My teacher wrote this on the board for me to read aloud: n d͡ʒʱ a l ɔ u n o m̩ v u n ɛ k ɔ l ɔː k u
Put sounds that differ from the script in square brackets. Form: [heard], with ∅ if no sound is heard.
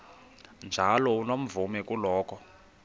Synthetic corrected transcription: n d͡ʒʱ a l ɔ u n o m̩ v u [m] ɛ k [u] l ɔː k [ɔ]

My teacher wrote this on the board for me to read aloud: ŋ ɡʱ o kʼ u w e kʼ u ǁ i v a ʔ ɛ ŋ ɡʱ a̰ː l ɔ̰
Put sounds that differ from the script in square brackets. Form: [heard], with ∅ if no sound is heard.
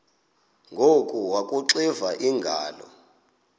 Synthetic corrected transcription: ŋ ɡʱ o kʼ u w [a] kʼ u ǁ i v a ʔ [i] ŋ ɡʱ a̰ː l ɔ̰

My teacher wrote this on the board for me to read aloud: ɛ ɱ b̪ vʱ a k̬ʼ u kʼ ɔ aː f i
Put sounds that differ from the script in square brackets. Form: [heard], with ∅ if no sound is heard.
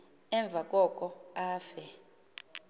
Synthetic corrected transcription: ɛ ɱ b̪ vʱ a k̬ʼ [ɔ] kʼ ɔ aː f [ɛ]

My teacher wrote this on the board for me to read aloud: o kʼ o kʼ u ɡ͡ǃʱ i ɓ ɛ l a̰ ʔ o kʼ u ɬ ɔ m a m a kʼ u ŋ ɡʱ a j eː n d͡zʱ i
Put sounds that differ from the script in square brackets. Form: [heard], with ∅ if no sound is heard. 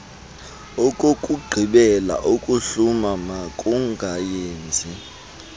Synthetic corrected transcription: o kʼ o kʼ u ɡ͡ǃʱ i ɓ ɛ l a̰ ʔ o kʼ u ɬ [u] m a m a kʼ u ŋ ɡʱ a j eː n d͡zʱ i

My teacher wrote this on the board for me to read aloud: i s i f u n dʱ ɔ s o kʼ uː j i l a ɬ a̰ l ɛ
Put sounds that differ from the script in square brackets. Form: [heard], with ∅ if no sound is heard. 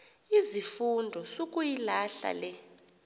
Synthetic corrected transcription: i [z] i f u n dʱ ɔ s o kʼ [u] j i l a ɬ a̰ l ɛ

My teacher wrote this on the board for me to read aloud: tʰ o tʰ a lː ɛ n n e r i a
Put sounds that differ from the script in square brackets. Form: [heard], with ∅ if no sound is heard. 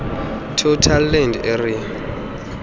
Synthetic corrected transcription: tʰ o tʰ a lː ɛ n [d] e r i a

